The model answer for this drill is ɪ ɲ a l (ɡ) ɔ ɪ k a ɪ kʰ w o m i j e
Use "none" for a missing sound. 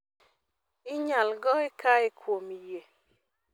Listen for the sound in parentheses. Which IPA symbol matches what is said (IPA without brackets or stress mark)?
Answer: ɡ